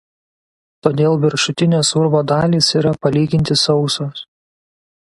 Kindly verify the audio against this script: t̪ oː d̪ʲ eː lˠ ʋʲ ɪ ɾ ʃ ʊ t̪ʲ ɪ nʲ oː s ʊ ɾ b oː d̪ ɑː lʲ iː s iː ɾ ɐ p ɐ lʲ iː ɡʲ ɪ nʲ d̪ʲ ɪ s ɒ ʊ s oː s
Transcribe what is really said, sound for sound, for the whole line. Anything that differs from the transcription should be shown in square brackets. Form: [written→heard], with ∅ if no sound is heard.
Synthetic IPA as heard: t̪ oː d̪ʲ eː lˠ ʋʲ ɪ ɾ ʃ ʊ t̪ʲ ɪ nʲ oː s ʊ ɾ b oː d̪ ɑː lʲ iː s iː ɾ ɐ p ɐ lʲ iː ɡʲ ɪ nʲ [d̪ʲ→t̪ʲ] ɪ s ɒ ʊ s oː s